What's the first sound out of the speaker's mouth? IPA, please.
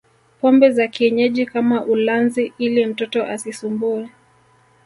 p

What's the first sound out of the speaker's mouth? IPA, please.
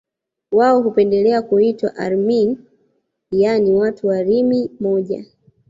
w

